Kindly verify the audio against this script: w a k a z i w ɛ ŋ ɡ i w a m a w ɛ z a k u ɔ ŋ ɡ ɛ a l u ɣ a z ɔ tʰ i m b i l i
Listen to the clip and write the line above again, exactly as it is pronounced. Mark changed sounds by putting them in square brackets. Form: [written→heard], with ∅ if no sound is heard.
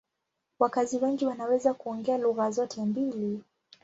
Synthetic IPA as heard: w a k a z i w ɛ ŋ ɡ i w a [m→n] a w ɛ z a k u ɔ ŋ ɡ ɛ a l u ɣ a z ɔ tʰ [i→ɛ] m b i l i